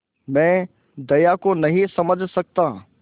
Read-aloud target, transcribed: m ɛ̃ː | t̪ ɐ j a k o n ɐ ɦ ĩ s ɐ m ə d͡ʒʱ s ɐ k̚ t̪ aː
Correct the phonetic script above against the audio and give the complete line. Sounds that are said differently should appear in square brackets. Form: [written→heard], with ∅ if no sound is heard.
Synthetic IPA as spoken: m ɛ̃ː | [t̪→d̪] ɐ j a k o n ɐ ɦ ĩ s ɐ m ə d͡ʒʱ s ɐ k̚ t̪ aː